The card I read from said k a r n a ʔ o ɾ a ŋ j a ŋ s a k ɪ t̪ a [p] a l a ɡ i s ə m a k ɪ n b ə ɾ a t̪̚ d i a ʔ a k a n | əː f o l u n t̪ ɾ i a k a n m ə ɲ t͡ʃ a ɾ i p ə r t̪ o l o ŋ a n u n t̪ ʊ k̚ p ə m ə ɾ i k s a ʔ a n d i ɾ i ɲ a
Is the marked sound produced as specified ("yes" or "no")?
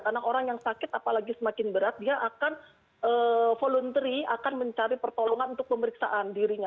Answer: yes